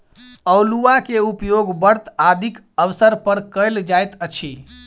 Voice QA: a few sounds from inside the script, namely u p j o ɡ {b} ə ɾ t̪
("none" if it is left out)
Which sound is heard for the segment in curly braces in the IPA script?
b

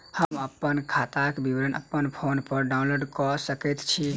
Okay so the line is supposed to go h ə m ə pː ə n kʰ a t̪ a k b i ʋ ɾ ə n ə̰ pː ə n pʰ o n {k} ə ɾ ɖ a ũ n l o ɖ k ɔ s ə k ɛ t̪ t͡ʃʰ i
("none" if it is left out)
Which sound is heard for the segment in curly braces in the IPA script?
p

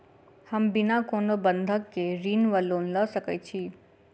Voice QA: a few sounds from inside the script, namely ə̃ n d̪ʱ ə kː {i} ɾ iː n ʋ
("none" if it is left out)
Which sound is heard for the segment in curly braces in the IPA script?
e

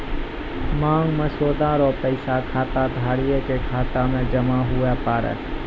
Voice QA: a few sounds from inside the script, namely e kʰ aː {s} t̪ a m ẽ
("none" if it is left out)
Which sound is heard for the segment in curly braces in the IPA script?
none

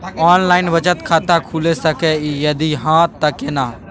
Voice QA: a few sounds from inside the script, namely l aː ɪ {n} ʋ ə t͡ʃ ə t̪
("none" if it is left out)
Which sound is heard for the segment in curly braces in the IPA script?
n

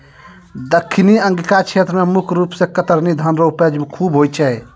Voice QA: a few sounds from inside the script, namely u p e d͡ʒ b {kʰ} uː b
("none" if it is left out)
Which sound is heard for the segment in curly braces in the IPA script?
kʰ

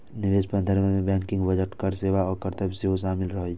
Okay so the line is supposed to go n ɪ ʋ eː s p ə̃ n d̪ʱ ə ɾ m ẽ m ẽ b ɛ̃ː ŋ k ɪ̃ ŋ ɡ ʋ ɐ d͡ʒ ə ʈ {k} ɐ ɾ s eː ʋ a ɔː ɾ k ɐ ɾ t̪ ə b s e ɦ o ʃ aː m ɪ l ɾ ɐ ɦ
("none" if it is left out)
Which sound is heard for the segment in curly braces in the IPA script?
k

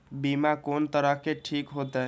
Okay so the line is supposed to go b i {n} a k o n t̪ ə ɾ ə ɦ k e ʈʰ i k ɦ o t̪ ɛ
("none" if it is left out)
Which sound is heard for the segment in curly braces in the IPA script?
m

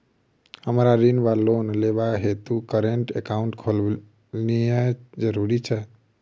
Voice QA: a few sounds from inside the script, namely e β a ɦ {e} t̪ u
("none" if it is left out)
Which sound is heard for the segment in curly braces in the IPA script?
e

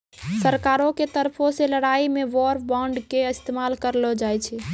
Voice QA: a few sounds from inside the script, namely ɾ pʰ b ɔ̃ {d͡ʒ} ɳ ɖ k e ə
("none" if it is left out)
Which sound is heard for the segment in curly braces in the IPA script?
none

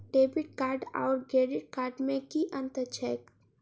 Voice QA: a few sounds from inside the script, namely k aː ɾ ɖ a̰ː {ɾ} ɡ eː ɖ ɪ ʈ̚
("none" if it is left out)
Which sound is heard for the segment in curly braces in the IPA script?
ɾ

